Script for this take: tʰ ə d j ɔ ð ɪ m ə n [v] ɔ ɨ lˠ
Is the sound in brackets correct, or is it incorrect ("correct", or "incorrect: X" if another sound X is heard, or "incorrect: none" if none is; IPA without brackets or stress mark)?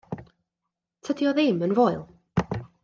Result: correct